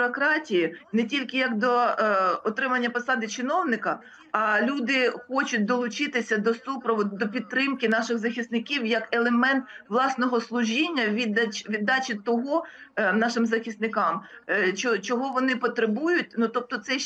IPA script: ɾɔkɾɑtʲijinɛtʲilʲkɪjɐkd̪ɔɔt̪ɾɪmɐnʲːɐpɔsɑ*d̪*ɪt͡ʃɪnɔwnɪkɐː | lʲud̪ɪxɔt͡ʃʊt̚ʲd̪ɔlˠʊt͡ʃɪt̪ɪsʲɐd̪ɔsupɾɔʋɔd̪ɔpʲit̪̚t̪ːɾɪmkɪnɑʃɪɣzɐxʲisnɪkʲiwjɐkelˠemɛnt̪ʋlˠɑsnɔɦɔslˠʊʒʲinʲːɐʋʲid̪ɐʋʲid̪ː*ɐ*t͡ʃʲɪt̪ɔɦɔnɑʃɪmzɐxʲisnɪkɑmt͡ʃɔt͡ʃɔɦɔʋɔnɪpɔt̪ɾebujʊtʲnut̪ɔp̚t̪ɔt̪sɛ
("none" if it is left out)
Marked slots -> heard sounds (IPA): d̪, ɑ

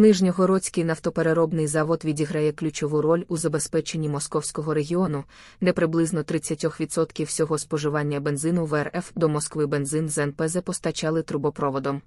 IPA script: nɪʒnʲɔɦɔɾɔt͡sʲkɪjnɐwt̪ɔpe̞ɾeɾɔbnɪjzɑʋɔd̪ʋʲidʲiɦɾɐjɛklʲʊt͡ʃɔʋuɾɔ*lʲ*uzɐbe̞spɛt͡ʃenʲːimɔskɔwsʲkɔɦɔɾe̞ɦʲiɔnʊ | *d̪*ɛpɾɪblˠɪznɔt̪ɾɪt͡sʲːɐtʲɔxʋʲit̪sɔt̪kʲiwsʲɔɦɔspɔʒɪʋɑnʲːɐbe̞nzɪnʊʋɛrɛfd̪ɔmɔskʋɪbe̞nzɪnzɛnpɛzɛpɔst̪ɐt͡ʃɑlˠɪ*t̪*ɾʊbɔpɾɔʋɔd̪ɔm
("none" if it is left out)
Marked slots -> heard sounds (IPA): lʲ, d̪, t̪

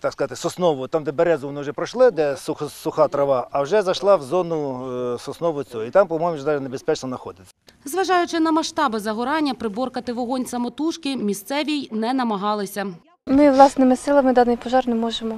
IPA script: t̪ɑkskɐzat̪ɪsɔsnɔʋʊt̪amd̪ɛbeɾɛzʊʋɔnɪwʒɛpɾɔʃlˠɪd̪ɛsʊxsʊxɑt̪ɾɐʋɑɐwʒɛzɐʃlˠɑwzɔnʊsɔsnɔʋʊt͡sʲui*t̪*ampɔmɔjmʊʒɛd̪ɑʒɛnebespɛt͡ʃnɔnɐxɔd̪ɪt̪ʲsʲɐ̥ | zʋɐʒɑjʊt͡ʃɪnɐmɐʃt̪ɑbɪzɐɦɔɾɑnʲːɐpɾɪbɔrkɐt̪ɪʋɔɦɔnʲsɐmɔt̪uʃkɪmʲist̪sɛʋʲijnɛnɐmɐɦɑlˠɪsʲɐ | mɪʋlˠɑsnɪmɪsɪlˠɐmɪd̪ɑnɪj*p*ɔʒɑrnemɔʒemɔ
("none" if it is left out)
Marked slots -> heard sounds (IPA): t̪, p

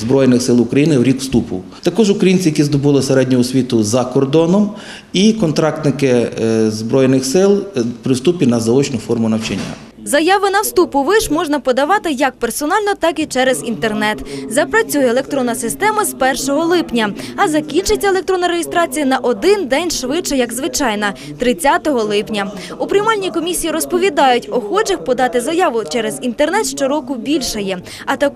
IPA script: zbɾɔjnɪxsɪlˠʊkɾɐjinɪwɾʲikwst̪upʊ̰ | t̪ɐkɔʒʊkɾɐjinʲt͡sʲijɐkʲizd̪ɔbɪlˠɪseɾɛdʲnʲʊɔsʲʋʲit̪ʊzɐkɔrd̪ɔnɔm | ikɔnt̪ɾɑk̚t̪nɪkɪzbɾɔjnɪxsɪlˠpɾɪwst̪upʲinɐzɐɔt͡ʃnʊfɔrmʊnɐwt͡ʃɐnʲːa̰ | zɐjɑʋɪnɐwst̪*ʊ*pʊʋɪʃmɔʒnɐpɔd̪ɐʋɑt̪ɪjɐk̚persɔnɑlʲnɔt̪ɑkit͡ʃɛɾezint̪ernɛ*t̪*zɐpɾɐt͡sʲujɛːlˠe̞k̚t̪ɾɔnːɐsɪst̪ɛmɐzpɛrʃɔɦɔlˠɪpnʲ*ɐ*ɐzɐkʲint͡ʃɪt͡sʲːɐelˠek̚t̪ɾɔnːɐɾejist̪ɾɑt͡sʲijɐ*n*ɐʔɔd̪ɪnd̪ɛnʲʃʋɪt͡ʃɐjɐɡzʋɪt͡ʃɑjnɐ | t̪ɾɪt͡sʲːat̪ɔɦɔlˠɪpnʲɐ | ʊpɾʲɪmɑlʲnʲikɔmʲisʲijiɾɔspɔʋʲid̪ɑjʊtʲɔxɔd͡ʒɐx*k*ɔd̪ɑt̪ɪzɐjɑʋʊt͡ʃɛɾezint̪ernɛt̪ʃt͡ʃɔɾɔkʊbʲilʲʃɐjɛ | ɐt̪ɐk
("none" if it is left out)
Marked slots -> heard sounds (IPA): u, t̪, ɐ, n, p

